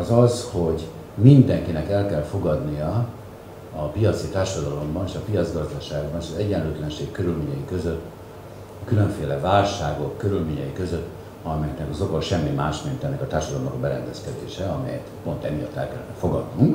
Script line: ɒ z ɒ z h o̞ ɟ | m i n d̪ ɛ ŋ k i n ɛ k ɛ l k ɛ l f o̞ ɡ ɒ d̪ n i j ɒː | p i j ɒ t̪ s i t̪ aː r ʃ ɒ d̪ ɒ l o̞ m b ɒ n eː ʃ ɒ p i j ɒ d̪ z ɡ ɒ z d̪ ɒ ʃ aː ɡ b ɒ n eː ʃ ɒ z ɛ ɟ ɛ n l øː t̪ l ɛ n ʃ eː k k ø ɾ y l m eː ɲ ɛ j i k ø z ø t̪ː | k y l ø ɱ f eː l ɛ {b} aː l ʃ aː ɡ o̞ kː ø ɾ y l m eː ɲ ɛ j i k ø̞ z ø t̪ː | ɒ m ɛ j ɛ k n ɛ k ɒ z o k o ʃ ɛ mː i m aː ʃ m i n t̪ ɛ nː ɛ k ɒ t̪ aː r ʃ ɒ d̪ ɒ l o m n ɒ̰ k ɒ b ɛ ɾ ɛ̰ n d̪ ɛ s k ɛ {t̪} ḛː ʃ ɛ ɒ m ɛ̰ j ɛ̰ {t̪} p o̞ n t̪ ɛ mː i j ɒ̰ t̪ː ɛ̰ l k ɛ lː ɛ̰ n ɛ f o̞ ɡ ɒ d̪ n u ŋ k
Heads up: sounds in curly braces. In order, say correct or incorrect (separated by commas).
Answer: incorrect, incorrect, correct